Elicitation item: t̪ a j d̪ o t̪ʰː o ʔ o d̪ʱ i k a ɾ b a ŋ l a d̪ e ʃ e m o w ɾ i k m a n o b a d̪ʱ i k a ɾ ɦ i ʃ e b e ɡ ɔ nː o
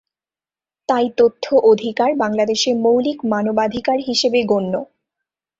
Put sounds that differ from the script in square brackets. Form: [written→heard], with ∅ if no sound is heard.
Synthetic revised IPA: t̪ a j [d̪→t̪] o t̪ʰː o ʔ o d̪ʱ i k a ɾ b a ŋ l a d̪ e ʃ e m o w [ɾ→l] i k m a n o b a d̪ʱ i k a ɾ ɦ i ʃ e b e ɡ [ɔ→o] nː o